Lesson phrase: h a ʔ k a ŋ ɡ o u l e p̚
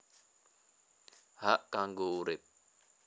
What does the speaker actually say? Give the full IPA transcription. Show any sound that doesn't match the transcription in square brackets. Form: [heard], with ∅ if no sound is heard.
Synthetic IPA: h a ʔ k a ŋ ɡ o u [ɾ] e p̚